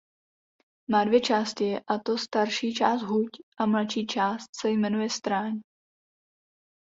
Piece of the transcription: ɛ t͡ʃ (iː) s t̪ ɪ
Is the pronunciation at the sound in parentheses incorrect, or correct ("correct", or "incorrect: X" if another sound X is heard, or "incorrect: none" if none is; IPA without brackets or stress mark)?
incorrect: aː